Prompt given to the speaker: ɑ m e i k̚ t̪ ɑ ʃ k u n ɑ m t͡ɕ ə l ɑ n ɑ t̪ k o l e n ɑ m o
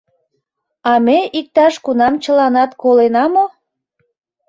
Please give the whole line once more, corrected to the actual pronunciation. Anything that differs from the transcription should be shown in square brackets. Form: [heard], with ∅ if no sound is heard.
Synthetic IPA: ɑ m e i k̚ t̪ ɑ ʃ k u n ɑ m t͡ɕ ə l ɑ n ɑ t̪ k o l e n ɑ m o